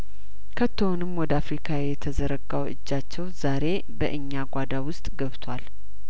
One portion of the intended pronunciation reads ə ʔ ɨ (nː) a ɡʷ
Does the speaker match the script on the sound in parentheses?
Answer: no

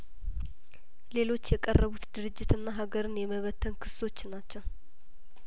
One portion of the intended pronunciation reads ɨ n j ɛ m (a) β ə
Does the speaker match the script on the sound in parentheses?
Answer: no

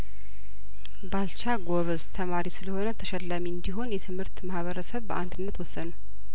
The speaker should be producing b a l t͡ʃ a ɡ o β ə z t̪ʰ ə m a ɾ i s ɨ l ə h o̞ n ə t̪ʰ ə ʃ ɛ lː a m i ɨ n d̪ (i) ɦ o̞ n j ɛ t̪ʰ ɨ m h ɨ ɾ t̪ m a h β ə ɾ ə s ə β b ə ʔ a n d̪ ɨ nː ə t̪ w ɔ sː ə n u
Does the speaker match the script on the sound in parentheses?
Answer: yes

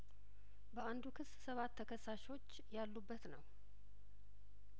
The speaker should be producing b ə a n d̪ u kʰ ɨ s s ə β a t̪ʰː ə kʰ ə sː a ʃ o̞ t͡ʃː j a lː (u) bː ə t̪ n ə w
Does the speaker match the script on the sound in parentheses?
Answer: yes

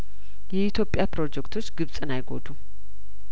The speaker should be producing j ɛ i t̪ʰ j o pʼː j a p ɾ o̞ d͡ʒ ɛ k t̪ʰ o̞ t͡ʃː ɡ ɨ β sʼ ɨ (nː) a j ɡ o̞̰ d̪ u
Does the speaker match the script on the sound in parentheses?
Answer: no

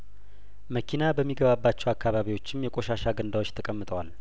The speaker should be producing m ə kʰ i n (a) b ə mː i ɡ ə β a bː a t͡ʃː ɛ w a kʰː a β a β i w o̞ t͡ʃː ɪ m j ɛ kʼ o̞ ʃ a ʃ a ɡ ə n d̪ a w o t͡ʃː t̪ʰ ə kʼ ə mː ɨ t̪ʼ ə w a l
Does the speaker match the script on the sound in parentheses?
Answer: yes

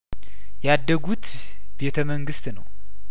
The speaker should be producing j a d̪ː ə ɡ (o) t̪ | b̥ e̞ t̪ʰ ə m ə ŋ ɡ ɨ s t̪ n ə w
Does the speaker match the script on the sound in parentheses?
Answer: no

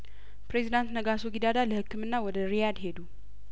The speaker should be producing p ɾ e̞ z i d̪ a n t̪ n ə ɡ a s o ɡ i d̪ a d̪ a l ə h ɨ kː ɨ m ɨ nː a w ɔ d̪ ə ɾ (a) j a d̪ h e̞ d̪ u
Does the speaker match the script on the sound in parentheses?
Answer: no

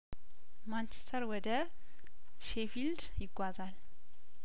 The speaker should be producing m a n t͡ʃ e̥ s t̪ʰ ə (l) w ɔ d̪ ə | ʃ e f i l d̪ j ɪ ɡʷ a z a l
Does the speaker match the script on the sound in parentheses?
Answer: no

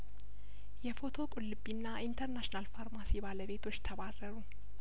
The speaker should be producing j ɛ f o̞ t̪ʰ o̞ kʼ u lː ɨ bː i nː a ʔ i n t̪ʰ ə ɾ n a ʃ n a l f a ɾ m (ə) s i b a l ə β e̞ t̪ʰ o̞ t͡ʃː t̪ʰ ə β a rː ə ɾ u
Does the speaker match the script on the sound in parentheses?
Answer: no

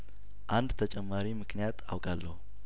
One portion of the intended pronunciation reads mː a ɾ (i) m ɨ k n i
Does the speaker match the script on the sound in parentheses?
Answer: yes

